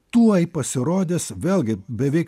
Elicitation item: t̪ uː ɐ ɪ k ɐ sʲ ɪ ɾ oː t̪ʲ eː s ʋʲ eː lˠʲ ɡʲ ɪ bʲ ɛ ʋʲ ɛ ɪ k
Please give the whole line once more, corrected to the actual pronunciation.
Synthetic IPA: t̪ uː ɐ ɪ p ɐ sʲ ɪ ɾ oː d̪ʲ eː s ʋʲ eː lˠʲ ɡʲ ɪ bʲ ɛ ʋʲ ɛ ɪ k